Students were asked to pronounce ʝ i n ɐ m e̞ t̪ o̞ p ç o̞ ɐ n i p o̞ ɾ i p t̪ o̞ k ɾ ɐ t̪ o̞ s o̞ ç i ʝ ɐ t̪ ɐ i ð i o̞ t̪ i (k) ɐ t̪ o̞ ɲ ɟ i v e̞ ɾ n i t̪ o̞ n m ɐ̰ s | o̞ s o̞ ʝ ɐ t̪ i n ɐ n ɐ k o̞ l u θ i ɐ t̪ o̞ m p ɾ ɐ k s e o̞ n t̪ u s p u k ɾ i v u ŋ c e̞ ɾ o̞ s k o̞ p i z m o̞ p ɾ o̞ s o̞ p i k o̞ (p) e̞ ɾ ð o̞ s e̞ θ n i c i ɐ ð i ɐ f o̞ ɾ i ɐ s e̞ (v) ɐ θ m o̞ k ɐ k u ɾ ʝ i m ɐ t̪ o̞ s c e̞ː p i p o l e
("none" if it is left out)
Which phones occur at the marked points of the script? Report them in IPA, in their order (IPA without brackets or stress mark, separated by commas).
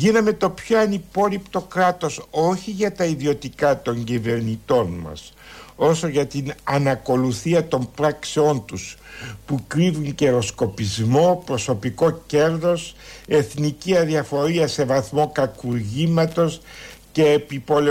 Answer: k, c, v